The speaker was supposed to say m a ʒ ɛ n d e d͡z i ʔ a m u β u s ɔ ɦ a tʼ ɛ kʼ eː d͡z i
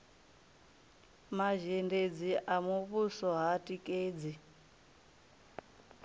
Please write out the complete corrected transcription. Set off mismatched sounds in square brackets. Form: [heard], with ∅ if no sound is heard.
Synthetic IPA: m a ʒ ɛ n d e d͡z i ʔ a m u β u s ɔ ɦ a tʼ [i] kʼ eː d͡z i